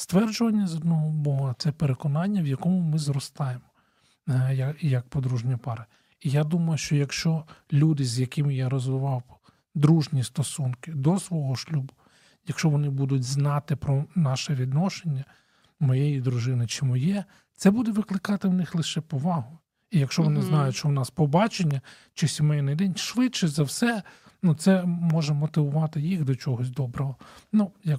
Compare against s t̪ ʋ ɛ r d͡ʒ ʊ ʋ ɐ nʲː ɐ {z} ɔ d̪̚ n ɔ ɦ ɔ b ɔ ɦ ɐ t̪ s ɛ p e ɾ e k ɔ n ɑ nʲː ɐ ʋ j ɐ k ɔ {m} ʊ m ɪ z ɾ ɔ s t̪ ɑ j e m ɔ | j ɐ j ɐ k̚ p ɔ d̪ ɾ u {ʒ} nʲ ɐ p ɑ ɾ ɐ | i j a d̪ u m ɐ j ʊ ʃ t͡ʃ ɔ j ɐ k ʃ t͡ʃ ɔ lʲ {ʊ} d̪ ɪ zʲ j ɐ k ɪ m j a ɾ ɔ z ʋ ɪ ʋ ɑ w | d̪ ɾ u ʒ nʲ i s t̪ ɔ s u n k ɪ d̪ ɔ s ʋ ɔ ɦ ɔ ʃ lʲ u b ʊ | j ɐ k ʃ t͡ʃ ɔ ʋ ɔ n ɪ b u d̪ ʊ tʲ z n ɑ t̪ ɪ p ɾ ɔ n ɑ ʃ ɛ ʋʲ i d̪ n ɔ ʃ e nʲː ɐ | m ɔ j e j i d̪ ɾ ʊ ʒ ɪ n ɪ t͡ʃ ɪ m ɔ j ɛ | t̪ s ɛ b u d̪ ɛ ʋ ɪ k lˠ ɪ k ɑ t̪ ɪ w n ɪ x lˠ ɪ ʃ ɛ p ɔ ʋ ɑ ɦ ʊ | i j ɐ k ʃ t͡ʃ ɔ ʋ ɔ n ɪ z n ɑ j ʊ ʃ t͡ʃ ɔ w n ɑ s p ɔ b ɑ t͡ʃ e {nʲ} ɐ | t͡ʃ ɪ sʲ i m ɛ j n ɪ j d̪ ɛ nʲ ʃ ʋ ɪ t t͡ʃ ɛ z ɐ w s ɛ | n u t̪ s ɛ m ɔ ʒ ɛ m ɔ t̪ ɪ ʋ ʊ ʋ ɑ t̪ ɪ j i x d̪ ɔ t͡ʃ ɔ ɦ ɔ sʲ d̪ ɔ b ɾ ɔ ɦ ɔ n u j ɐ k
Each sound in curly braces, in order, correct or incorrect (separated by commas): correct, correct, correct, incorrect, incorrect